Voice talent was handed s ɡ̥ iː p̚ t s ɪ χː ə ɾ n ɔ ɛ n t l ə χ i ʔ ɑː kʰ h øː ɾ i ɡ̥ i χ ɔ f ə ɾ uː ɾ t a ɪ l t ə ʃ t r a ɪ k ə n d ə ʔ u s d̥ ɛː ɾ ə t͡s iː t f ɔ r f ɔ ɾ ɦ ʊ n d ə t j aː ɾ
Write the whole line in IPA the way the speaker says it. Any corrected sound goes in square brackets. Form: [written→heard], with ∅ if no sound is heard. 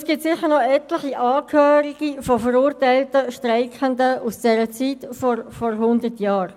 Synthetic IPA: s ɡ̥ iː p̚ t s ɪ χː ə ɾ n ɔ ɛ [n→∅] t l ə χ i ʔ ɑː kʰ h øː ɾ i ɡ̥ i [χ→f] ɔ f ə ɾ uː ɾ t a ɪ l t ə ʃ t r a ɪ k ə n d ə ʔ u s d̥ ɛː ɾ ə t͡s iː t f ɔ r f ɔ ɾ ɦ ʊ n d ə t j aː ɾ

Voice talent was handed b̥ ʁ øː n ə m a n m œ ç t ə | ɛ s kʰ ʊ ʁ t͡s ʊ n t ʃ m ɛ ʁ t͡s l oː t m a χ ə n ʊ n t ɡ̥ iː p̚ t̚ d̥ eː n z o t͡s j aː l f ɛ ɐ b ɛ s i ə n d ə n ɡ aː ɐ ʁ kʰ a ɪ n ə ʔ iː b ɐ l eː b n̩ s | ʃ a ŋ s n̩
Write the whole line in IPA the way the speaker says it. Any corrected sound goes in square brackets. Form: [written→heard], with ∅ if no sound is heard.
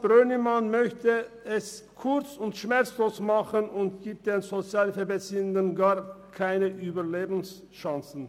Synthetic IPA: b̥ ʁ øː n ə m a n m œ ç t ə | ɛ s kʰ ʊ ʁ t͡s ʊ n t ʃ m ɛ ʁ t͡s l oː [t→s] m a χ ə n ʊ n t ɡ̥ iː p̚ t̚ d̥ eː n z o t͡s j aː l f ɛ ɐ b ɛ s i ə n d ə n ɡ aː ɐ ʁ kʰ a ɪ n ə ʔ [iː→yː] b ɐ l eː b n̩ s | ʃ a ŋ s n̩

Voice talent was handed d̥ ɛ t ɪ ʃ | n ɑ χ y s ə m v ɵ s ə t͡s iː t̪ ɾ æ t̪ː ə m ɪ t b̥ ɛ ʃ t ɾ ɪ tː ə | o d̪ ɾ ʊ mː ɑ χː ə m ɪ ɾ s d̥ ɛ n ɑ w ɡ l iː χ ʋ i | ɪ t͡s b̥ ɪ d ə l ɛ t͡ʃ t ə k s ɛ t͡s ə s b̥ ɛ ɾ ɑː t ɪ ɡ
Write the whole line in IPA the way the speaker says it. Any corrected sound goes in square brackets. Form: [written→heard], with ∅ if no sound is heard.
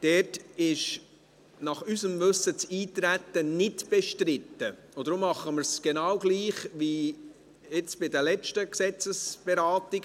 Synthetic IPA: d̥ ɛ t ɪ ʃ | n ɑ χ y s ə m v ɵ s ə t͡s iː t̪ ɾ æ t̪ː ə [m→n] ɪ t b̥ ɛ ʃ t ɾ ɪ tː ə | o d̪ ɾ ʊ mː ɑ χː ə m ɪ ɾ s [d̥→ɡ̥] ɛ n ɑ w ɡ l iː χ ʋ i | ɪ t͡s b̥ ɪ d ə l ɛ t͡ʃ t ə k s ɛ t͡s ə s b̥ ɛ ɾ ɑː t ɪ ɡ

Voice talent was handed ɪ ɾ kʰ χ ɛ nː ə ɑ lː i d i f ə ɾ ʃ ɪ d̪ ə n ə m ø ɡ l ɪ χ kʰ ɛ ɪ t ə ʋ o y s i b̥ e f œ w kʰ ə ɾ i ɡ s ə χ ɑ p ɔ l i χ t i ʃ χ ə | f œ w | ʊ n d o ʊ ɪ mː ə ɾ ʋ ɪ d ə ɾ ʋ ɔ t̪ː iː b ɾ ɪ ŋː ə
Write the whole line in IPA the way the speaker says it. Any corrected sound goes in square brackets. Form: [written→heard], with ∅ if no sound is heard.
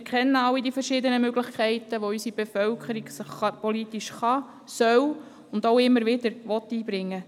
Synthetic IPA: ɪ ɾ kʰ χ ɛ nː ə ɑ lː i d i f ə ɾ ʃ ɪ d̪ ə n ə m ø ɡ l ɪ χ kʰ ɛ ɪ t ə ʋ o y s i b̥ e f œ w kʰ ə ɾ i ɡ s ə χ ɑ p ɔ l i [χ→∅] t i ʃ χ [ə→ɑ] | [f→s] œ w | ʊ n d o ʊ ɪ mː ə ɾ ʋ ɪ d ə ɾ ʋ ɔ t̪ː iː b ɾ ɪ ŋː ə

